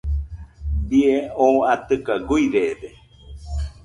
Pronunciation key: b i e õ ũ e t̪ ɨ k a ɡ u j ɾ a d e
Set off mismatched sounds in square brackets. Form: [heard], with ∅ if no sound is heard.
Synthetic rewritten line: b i e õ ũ [a] t̪ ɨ k a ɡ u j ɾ [e] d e

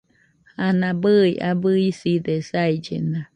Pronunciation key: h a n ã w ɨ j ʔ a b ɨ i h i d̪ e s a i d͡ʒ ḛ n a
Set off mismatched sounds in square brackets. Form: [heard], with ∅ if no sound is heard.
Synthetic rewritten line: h a n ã [b] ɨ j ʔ a b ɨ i [s] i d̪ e s a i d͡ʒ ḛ n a

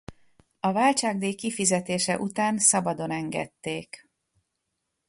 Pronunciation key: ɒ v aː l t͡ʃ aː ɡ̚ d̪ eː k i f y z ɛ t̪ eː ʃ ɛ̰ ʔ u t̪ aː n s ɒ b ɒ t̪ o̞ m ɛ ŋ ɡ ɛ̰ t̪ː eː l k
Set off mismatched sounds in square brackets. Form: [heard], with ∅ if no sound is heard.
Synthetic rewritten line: ɒ v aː l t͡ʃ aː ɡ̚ d̪ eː k i f [i] z ɛ t̪ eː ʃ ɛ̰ ʔ u t̪ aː n s ɒ b ɒ [d̪] o̞ [n] ɛ ŋ ɡ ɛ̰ t̪ː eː [∅] k

